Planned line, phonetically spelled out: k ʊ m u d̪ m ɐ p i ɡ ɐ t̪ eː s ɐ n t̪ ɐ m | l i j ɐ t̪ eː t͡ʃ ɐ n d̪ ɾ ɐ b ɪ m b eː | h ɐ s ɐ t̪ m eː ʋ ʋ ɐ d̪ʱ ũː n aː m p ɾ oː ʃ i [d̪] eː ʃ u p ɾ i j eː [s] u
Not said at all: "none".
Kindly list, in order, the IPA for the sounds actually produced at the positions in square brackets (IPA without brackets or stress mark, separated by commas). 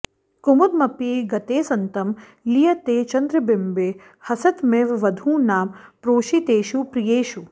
t̪, ʃ